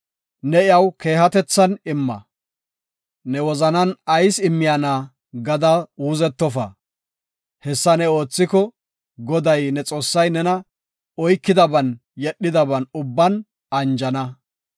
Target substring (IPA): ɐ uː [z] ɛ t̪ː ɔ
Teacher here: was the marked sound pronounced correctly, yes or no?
yes